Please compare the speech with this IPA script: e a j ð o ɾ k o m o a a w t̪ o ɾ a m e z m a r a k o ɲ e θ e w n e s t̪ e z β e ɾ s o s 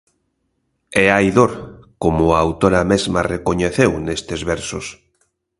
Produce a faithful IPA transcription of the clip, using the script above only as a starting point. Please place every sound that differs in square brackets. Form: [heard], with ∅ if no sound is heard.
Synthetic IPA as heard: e a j ð o ɾ k o m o a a w t̪ o ɾ a m e z m a r [e] k o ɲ e θ e w n e s t̪ e z β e ɾ s o s